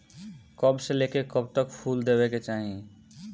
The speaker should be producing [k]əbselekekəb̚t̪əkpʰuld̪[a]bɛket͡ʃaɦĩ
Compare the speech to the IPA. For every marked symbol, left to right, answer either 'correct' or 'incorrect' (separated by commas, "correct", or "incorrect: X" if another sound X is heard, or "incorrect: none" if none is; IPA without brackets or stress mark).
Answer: correct, incorrect: e